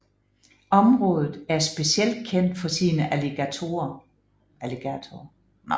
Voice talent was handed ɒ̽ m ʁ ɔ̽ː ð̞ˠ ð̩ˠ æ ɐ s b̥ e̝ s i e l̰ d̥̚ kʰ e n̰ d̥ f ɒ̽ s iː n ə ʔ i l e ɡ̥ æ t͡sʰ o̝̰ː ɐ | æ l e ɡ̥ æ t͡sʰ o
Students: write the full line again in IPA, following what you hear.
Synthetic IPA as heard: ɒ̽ m ʁ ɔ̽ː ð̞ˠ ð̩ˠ æ ɐ s b̥ e̝ s i e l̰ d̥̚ kʰ e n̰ d̥ f ɒ̽ s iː n ə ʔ æ l e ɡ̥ æ t͡sʰ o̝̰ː ɐ | æ l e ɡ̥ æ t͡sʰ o